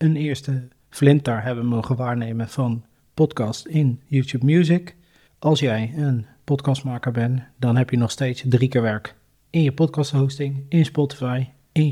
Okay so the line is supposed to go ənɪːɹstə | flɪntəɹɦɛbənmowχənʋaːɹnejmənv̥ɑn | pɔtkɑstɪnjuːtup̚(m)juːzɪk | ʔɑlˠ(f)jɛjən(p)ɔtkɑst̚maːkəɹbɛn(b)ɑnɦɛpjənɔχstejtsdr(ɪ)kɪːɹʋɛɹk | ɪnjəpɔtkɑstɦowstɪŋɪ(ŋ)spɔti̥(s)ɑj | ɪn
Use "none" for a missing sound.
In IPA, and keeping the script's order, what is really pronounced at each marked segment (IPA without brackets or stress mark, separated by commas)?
m, s, p, d, i, n, f